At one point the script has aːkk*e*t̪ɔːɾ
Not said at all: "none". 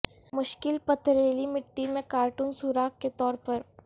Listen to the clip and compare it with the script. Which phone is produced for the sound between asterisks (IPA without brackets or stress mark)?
e